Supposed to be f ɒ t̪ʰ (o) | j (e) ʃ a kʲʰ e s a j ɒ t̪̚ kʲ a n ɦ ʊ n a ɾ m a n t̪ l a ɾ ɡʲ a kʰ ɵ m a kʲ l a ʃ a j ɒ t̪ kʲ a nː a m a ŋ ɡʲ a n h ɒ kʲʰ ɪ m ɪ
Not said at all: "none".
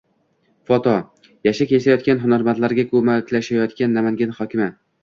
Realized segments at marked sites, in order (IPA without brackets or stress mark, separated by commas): ɒ, a